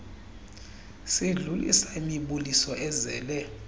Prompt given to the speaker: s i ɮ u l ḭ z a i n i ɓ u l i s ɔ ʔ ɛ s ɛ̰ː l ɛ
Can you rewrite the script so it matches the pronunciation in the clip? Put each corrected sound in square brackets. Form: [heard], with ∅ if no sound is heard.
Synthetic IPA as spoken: s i ɮ u l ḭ [s] a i [m] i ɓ u l i s ɔ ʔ ɛ [z] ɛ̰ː l ɛ